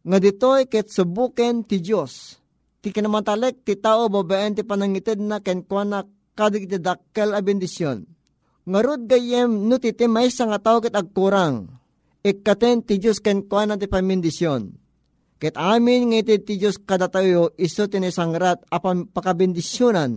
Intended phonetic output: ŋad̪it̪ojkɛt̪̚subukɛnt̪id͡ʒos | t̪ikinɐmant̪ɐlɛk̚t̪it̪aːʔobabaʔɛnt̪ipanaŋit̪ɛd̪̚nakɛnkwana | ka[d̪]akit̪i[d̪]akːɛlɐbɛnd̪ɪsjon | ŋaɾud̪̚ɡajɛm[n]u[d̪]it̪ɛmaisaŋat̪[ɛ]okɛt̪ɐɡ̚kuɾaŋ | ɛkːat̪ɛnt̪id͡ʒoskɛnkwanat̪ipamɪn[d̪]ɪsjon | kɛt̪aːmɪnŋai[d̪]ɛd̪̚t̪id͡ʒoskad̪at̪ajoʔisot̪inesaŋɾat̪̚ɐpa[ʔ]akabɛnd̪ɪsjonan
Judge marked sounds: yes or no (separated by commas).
yes, yes, yes, no, no, yes, no, no